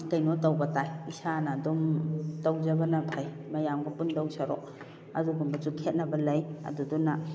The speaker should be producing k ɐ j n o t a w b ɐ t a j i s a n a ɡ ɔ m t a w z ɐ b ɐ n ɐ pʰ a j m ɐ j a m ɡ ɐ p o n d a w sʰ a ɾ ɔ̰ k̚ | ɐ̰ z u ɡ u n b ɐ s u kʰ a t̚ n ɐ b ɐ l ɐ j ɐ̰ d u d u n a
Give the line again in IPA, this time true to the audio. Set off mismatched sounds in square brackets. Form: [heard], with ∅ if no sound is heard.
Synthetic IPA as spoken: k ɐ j n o t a w b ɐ t a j i s a n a [d] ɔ m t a w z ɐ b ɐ n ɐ pʰ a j m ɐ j a m ɡ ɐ p [u] n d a w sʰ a ɾ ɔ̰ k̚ | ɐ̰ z u ɡ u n b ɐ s u kʰ [e] t̚ n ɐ b ɐ l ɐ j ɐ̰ d u d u n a

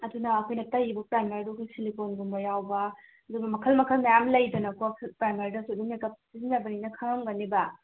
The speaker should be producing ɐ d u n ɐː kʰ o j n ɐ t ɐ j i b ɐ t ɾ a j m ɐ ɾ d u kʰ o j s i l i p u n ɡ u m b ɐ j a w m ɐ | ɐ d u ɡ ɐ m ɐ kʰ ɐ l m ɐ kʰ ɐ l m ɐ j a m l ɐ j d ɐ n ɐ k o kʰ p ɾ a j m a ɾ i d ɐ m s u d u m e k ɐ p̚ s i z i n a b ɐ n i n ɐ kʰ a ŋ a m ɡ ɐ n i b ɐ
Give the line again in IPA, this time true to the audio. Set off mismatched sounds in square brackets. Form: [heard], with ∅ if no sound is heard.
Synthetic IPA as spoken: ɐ d u n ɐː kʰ o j n ɐ t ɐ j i b ɐ [p] ɾ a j m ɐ ɾ d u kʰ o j s i l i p [o] n ɡ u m b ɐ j a w [b] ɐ | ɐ d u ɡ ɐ m ɐ kʰ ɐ l m ɐ kʰ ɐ l m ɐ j a m l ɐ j d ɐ n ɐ k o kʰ p ɾ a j m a ɾ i d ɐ [∅] s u d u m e k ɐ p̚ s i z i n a b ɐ n i n ɐ kʰ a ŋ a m ɡ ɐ n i b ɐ

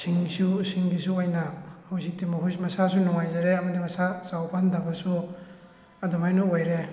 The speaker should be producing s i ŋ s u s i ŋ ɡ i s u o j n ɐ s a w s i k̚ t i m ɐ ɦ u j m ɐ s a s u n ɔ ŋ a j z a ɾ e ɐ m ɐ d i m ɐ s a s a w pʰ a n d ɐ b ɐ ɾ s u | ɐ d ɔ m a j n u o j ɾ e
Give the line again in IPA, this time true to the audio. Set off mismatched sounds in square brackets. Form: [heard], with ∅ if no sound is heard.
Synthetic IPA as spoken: s i ŋ s u s i ŋ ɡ i s u o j n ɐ [h] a w [z] i k̚ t i m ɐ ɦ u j m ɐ s a s u n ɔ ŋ a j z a ɾ e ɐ m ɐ d i m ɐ s a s a w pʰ a n d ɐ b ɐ [∅] s u | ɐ d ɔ m a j n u o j ɾ e

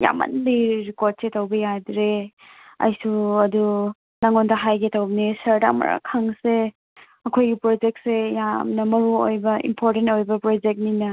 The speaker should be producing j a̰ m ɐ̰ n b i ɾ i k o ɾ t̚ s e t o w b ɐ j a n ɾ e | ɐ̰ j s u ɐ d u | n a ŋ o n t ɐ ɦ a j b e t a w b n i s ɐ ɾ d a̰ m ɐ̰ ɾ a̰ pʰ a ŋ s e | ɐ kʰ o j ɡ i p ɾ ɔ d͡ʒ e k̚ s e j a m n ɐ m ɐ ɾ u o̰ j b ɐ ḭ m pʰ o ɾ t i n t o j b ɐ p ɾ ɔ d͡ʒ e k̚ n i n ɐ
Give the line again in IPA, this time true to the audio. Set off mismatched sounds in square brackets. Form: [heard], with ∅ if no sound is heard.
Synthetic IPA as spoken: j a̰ m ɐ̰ n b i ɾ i k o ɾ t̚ s e t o w b ɐ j a [d] ɾ e | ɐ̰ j s u ɐ d u | n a ŋ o n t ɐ ɦ a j [ɡ] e t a w b n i s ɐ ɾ d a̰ m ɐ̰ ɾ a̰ [kʰ] a ŋ s e | ɐ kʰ o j ɡ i p ɾ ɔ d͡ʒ e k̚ s e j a m n ɐ m ɐ ɾ u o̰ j b ɐ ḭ m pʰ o ɾ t [e] n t o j b ɐ p ɾ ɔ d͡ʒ e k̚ n i n ɐ

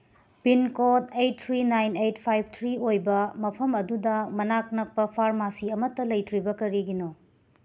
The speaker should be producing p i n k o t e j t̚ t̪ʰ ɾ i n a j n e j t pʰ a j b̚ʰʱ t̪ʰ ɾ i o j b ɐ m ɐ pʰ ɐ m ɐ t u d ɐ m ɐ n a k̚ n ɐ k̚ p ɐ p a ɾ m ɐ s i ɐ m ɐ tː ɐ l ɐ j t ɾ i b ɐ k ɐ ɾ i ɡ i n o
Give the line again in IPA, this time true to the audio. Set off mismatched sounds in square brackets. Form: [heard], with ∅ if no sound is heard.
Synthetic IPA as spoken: p i n k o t e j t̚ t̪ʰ ɾ i n a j n e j t pʰ a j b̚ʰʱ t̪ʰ ɾ i o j b ɐ m ɐ pʰ ɐ m ɐ [d] u d ɐ m ɐ n a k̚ n ɐ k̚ p ɐ [pʰ] a ɾ m [a] s i ɐ m ɐ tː ɐ l ɐ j t ɾ i b ɐ k ɐ ɾ i ɡ i n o

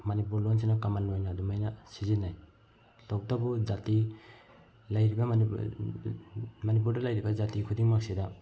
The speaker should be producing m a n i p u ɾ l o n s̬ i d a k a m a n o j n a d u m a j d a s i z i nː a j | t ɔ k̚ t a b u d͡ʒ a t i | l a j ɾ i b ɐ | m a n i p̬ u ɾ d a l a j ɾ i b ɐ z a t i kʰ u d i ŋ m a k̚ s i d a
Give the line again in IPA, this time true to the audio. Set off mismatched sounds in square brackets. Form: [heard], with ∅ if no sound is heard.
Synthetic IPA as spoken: m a n i p u ɾ l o n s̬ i [n] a k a m a n o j n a d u m a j [n] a s i z i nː a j | t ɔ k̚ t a b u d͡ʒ a t i | l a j ɾ i b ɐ | m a n i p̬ u ɾ d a l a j ɾ i b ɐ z a t i kʰ u d i ŋ m a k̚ s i d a

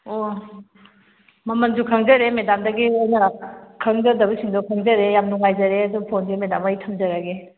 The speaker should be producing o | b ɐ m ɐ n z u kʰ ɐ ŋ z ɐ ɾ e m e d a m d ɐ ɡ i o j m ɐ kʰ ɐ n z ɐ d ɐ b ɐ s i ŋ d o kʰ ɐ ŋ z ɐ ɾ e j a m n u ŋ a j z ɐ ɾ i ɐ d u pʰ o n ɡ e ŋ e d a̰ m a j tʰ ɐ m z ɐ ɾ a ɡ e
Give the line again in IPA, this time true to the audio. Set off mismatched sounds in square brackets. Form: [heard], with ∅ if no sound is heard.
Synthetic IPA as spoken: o | [m] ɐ m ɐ n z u kʰ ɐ ŋ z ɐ ɾ e m e d a m d ɐ ɡ i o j [n] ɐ kʰ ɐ [ŋ] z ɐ d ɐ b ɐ s i ŋ d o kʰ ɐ ŋ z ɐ ɾ e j a m n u ŋ a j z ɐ ɾ [e] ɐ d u pʰ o n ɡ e [m] e d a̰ m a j tʰ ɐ m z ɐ ɾ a ɡ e

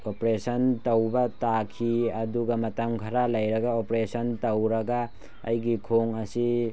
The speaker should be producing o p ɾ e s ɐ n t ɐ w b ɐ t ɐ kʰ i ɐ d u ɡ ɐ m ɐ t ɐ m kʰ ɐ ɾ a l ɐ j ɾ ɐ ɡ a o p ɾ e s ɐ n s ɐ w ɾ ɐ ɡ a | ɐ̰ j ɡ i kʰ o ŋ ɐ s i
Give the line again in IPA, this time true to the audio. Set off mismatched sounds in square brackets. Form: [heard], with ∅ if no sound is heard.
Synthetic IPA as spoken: o p ɾ e s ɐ n t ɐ w b ɐ t [a] kʰ i ɐ d u ɡ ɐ m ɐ t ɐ m kʰ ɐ ɾ a l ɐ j ɾ ɐ ɡ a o p ɾ e s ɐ n [t] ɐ w ɾ ɐ ɡ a | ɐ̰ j ɡ i kʰ o ŋ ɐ s i

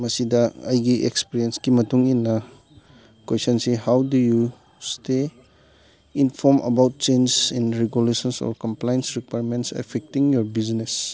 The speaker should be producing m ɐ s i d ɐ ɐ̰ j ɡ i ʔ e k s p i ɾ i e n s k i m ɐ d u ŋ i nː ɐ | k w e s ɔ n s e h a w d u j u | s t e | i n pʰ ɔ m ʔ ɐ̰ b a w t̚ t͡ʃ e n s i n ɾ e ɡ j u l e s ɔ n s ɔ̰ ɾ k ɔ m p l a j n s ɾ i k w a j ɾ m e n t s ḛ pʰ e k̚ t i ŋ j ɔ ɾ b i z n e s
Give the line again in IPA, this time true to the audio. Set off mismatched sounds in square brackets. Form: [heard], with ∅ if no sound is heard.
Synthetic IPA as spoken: m ɐ s i d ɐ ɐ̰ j ɡ i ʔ e k s p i ɾ i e n s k i m ɐ [t] u ŋ i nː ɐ | k w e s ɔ n s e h a w d u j u | s t e | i n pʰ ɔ m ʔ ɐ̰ b a w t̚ t͡ʃ e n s i n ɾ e ɡ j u l e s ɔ n s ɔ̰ ɾ k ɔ m p l a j n s ɾ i k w a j ɾ m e n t s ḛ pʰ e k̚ t i ŋ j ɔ ɾ b i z n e s

